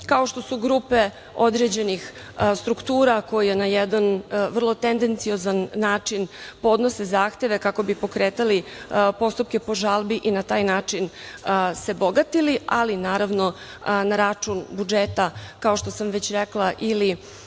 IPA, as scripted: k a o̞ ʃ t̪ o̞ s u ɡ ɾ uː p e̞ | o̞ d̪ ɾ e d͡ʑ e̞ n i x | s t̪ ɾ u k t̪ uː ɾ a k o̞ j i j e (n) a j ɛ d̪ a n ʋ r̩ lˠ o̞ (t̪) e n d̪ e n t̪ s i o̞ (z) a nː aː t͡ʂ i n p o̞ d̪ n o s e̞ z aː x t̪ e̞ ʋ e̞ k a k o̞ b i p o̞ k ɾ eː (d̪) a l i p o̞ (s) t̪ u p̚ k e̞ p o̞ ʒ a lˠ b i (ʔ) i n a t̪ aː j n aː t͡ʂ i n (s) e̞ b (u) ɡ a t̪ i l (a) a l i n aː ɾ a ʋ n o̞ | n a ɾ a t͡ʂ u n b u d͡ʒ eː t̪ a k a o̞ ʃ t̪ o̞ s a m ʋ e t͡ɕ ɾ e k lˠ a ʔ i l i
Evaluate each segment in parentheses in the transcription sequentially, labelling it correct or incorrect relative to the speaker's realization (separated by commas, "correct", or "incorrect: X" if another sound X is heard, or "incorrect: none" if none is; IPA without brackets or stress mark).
correct, correct, correct, incorrect: t̪, correct, correct, correct, incorrect: o, incorrect: i